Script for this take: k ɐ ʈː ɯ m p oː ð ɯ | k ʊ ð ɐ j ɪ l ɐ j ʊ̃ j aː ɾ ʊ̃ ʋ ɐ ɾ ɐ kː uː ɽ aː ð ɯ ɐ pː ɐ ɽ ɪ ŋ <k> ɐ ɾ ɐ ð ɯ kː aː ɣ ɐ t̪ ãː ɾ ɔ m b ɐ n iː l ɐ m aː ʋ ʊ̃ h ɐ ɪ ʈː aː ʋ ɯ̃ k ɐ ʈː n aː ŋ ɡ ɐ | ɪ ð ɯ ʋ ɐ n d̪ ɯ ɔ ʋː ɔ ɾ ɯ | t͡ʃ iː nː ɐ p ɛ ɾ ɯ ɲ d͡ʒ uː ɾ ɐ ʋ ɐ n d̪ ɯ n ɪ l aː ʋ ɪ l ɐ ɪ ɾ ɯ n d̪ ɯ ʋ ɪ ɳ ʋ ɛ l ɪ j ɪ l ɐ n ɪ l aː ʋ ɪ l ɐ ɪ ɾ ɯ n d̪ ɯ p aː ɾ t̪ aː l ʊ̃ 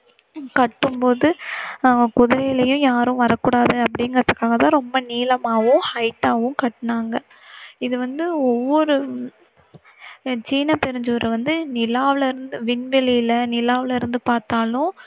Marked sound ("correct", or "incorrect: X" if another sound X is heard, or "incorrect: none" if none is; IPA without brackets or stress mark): incorrect: ɡ